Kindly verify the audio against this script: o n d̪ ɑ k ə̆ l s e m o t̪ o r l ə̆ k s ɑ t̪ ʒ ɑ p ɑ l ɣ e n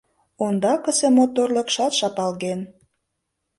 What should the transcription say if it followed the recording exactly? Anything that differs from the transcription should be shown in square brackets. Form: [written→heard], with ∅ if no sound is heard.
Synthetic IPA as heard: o n d̪ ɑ k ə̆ [l→∅] s e m o t̪ o r l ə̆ k [s→ʃ] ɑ t̪ [ʒ→ʃ] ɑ p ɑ l ɣ e n